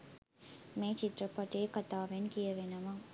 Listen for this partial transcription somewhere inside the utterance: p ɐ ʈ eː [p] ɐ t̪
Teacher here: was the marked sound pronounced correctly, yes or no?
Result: no